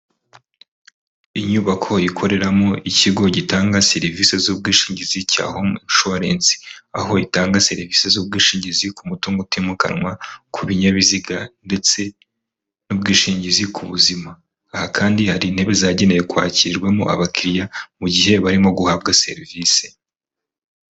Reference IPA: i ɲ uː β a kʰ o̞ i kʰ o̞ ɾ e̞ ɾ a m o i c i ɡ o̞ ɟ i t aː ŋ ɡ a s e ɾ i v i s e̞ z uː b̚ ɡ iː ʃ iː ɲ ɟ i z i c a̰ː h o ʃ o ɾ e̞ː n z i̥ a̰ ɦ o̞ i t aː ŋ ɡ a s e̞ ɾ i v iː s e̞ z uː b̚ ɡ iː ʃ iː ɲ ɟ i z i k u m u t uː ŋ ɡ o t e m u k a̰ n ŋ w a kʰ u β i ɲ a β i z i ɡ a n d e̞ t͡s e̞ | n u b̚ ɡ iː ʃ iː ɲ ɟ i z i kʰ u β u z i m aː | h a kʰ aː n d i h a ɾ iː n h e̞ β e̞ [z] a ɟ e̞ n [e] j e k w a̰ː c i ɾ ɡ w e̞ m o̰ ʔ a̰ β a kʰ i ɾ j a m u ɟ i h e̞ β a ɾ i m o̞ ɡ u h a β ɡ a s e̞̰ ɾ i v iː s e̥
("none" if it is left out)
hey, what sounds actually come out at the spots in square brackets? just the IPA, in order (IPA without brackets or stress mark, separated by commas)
z, e